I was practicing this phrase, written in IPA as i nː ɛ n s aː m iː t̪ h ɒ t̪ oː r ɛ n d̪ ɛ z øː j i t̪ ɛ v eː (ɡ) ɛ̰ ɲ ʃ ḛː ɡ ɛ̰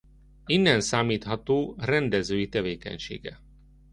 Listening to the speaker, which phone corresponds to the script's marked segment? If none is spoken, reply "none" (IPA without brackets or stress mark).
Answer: k